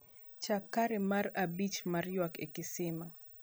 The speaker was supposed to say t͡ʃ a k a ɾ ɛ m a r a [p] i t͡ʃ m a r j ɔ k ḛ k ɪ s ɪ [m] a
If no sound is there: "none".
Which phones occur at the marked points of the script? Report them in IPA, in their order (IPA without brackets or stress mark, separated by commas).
b, m